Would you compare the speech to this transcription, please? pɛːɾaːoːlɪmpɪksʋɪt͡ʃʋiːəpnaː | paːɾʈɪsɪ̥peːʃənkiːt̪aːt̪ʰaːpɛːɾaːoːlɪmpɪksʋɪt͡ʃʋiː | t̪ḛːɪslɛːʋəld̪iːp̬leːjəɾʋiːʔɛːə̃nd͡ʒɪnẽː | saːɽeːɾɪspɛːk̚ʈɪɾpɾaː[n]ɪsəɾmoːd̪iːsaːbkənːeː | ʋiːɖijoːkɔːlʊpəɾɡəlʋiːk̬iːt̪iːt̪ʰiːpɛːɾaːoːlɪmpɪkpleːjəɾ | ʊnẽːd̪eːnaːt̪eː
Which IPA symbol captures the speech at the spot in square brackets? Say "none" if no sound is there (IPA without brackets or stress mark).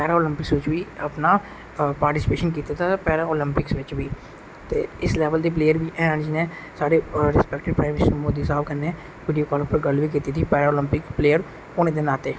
m